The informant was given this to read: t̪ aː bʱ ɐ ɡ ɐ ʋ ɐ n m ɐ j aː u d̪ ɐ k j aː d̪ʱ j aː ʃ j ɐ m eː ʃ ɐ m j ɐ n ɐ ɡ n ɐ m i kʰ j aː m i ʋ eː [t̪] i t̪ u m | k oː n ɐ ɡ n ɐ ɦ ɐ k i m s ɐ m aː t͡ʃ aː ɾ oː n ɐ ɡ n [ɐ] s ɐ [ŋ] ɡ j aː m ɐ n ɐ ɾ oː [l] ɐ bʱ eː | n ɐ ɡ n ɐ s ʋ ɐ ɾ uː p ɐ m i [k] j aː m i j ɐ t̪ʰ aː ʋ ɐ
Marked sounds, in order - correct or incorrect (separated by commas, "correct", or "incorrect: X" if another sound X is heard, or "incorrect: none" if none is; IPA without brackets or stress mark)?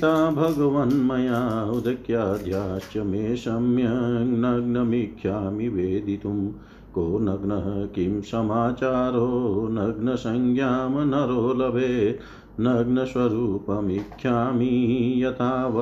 incorrect: d̪, correct, correct, correct, incorrect: kʰ